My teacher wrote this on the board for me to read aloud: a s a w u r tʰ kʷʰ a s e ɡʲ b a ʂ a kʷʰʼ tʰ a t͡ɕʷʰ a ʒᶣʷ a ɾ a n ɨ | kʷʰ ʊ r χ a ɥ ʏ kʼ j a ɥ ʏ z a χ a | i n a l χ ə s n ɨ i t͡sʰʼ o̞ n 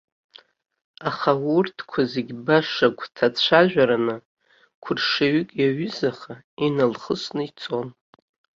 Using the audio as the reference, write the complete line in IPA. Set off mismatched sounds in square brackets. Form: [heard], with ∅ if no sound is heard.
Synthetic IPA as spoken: a [χ] a w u r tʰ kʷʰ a [z] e ɡʲ b a ʂ a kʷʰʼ tʰ a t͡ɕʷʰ a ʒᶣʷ a ɾ a n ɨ | kʷʰ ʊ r [ʂ] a ɥ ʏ kʼ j a ɥ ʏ z a χ a | i n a l χ ə s n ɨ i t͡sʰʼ o̞ n